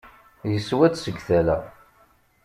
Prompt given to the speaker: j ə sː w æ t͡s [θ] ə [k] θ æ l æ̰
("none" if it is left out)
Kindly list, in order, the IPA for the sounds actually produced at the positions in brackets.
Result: s, ɡ

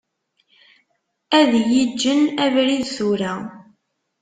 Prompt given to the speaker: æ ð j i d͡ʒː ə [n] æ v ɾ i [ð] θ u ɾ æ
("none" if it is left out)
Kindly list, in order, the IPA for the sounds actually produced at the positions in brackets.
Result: n, ð

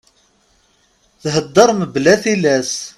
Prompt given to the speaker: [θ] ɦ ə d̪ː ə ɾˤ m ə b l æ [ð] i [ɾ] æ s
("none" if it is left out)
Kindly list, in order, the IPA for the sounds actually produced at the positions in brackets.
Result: θ, θ, l

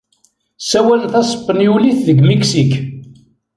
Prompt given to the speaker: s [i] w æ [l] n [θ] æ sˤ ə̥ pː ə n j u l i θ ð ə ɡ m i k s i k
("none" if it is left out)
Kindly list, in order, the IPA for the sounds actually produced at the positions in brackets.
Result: æ, l, θ

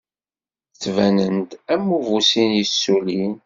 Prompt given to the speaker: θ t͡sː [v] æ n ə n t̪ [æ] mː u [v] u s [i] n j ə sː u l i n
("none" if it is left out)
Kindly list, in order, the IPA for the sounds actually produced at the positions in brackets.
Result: v, æ, v, i

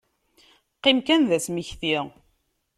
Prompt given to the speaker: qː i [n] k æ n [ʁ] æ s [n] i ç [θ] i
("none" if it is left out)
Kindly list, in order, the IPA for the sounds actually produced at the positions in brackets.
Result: m, ð, m, θ

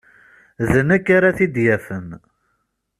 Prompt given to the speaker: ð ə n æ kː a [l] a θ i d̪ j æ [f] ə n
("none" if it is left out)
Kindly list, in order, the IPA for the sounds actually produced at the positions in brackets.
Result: ɾ, f

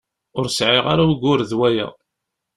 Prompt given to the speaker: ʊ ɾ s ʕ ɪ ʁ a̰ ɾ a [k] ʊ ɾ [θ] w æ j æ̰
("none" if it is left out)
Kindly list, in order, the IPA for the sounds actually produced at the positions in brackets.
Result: ɡ, ð

